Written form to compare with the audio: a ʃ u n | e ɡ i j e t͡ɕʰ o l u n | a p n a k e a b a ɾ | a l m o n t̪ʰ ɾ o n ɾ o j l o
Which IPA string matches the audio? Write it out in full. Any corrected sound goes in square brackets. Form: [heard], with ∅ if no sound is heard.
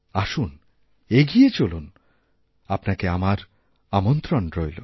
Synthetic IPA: a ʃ u n | e ɡ i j e [t͡ɕ] o l u n | a p n a k e a [m] a ɾ | a [∅] m o n [t̪] ɾ o n ɾ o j l o